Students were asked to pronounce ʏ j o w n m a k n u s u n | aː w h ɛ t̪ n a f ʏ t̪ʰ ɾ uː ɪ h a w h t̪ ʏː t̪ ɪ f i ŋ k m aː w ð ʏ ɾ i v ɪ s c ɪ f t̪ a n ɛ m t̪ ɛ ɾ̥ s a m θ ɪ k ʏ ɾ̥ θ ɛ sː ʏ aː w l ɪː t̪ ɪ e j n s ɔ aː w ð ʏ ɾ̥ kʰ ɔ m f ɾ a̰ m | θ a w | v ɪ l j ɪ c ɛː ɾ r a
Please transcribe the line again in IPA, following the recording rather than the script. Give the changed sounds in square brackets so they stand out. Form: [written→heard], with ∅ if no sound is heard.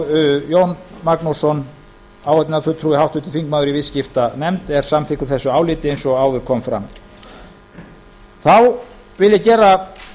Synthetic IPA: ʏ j o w n m a k n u s [u→ɔ] n | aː w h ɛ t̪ n a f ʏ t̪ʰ ɾ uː ɪ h a w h t̪ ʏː t̪ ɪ f i ŋ k m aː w ð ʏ ɾ i v ɪ s c ɪ f t̪ a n ɛ m t̪ ɛ ɾ̥ s a m θ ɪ k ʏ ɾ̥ θ ɛ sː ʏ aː w l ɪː t̪ ɪ e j n s ɔ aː w ð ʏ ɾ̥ kʰ ɔ m f ɾ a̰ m | θ a w | v ɪ l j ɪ c ɛː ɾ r a

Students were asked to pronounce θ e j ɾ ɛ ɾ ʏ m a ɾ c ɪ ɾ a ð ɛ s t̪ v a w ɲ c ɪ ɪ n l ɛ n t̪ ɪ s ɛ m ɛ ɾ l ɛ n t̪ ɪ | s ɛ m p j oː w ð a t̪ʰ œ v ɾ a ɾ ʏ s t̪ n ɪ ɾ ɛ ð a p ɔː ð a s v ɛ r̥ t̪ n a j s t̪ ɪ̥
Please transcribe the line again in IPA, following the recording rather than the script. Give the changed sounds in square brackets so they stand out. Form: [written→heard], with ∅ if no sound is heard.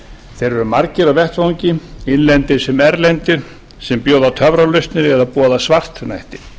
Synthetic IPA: θ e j ɾ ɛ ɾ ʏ m a ɾ c ɪ ɾ a [ð→v] ɛ [s→h] t̪ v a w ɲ c ɪ ɪ n l ɛ n t̪ ɪ s ɛ m ɛ ɾ l ɛ n t̪ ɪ | s ɛ m p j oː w ð a t̪ʰ œ v ɾ a [ɾ→l] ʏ s t̪ n ɪ ɾ ɛ ð a p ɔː ð a s v [ɛ→a] r̥ t̪ n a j [s→h] t̪ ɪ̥

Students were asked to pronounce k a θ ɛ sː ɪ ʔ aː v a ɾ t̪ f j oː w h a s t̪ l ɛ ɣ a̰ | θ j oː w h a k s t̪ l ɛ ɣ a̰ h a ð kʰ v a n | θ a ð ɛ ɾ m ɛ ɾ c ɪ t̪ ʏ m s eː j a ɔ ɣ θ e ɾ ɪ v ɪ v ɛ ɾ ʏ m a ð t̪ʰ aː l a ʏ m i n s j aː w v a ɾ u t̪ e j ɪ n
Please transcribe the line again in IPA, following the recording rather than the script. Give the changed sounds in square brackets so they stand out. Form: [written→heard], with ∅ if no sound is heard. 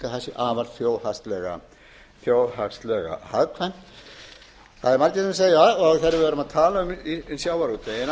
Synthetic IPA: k a θ ɛ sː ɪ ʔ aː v a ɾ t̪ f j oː w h a s t̪ l ɛ ɣ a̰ | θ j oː w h a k s t̪ l ɛ ɣ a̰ h a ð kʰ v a n | θ a ð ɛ ɾ m [ɛ→a] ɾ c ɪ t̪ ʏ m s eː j a ɔ ɣ θ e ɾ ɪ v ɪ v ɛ ɾ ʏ m a ð t̪ʰ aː l a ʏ m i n s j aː w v a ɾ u t̪ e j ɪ n

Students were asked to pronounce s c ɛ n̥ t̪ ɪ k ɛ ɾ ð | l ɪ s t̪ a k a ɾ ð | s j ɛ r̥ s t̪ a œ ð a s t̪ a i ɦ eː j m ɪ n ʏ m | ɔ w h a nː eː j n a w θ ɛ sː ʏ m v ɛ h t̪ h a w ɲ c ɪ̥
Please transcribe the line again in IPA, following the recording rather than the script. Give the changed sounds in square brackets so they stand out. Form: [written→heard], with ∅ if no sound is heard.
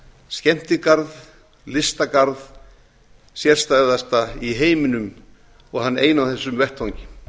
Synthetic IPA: s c ɛ [n̥→m̥] t̪ ɪ k [ɛ→a] ɾ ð | l ɪ s t̪ a k a ɾ ð | s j ɛ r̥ s t̪ a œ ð a s t̪ a i ɦ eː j m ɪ n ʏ m | ɔ [w→ɣ] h a nː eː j n a w θ ɛ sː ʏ m v ɛ h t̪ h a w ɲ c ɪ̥

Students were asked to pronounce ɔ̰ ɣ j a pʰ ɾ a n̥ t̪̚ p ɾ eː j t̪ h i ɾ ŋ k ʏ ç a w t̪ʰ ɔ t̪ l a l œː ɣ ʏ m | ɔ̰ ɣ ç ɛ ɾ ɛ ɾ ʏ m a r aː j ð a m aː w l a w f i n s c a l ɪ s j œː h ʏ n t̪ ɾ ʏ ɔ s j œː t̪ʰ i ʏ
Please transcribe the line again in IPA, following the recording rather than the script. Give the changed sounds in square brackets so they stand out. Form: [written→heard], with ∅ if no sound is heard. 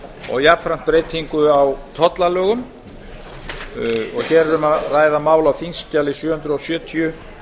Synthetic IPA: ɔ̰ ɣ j a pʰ ɾ a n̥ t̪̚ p ɾ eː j t̪ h i [ɾ→∅] ŋ k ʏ [ç→∅] a w t̪ʰ ɔ t̪ l a l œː ɣ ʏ m | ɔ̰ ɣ ç ɛ ɾ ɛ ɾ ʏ m a r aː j ð a m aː w l a w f i n s c a l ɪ s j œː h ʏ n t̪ ɾ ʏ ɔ s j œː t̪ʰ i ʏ

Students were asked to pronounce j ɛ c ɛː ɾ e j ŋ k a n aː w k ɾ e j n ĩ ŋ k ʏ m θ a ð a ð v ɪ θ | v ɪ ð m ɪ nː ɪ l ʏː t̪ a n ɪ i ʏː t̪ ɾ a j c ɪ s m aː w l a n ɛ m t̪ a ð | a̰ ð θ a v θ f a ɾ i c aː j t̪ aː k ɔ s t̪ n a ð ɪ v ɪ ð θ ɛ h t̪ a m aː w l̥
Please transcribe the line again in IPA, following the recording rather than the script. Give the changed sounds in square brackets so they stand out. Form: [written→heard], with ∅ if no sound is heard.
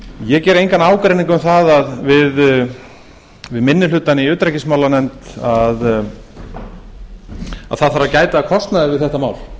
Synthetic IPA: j ɛ c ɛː ɾ e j ŋ k a n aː w k ɾ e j n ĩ ŋ k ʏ m θ a ð a ð v ɪ [θ→ð] | v ɪ ð m ɪ nː ɪ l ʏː t̪ a n ɪ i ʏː t̪ ɾ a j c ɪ s m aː w l a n ɛ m t̪ a ð | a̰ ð θ a [v→ð] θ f a ɾ [i→a] c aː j t̪ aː [k→kʰ] ɔ s t̪ n a ð ɪ v ɪ ð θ ɛ h t̪ a m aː w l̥

